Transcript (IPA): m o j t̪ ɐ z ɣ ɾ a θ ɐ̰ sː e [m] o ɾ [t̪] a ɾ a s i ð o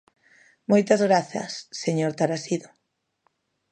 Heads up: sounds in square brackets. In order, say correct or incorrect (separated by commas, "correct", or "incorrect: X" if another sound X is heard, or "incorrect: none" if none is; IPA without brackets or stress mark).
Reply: incorrect: ɲ, correct